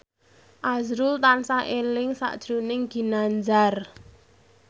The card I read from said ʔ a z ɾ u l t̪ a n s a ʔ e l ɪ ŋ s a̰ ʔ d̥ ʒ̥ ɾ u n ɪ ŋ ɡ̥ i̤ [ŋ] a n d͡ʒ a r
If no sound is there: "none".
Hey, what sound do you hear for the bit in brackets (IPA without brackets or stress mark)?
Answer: n